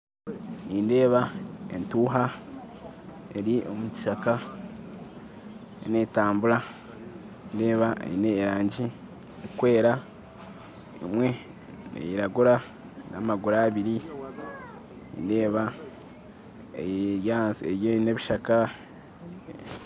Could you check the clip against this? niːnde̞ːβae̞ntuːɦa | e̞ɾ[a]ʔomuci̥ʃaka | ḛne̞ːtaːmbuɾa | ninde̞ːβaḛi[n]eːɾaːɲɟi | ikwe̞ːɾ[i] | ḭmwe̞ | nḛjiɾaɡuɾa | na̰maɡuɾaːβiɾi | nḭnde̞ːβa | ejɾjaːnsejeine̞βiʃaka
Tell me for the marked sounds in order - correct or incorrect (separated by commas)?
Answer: incorrect, correct, incorrect